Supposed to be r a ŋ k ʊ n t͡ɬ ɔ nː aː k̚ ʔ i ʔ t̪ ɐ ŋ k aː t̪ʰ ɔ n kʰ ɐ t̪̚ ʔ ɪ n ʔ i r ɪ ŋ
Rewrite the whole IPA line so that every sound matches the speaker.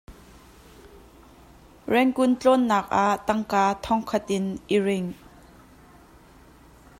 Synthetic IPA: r ɛ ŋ k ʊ n t͡ɬ ɔ nː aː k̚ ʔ a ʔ t̪ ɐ ŋ k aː t̪ʰ ɔ ŋ kʰ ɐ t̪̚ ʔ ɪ n ʔ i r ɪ ŋ